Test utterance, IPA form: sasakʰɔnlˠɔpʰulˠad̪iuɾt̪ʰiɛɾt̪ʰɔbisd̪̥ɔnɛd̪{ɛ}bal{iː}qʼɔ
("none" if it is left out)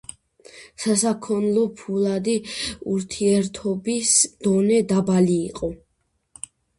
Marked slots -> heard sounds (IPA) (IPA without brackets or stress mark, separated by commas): a, iː